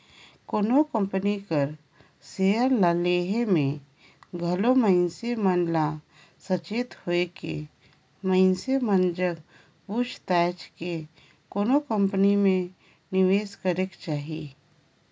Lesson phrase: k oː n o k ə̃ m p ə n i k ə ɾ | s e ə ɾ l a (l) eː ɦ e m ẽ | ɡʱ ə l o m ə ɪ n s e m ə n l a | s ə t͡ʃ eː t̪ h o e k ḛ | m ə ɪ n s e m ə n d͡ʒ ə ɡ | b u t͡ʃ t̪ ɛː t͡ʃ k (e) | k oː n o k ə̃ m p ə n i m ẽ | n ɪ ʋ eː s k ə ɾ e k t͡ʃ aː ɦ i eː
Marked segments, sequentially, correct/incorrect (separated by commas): correct, correct